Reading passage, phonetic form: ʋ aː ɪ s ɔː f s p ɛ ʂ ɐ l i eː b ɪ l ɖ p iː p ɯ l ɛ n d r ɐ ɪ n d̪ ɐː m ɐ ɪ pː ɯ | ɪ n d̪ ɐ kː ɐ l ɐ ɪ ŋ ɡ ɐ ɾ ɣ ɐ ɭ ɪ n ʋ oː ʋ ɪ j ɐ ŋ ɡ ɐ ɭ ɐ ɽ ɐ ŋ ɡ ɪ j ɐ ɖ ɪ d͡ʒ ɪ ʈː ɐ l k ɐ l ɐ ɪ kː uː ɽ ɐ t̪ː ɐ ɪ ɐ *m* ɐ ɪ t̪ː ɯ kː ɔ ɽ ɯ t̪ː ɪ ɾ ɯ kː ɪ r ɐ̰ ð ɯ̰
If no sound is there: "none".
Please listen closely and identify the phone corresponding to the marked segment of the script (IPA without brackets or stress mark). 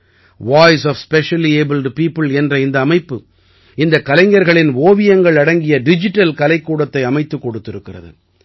m